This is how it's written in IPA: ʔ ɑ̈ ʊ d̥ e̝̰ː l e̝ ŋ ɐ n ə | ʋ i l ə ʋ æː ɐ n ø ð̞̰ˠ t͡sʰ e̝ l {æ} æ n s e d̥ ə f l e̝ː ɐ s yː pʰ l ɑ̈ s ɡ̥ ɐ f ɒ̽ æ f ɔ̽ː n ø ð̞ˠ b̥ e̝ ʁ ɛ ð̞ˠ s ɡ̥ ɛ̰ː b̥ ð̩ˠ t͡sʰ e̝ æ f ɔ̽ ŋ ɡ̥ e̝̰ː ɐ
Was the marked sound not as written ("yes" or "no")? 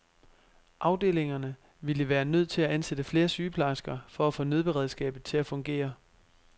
no